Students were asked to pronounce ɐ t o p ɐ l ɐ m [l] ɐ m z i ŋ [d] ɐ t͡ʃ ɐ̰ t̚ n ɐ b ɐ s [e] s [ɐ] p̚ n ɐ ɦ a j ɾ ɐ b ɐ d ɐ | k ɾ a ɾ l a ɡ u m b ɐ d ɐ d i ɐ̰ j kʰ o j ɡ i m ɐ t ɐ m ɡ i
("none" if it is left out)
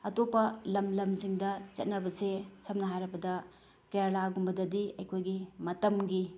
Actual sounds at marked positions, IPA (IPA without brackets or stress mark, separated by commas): l, d, e, ɐ